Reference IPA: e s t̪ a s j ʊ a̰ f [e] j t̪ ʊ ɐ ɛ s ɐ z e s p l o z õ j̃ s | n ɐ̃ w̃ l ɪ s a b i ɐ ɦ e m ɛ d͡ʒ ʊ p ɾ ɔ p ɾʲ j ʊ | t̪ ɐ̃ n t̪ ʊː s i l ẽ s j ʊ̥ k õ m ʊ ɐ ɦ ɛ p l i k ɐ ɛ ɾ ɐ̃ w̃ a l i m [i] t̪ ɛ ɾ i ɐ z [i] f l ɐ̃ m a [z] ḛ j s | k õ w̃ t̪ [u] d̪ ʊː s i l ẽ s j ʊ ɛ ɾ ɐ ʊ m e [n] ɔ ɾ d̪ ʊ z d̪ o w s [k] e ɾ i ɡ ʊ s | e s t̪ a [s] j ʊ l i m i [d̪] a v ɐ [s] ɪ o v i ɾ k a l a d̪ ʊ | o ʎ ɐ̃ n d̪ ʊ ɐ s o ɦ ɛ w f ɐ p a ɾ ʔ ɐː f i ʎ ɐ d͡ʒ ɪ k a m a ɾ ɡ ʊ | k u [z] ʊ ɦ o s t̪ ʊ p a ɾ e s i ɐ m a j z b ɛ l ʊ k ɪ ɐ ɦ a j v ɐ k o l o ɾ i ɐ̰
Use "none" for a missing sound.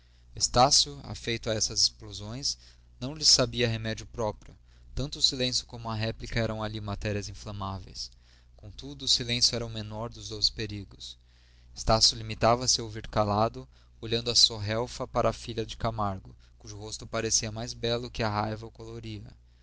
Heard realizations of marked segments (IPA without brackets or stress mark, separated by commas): e, a, ĩ, v, u, n, p, s, t̪, s, ʒ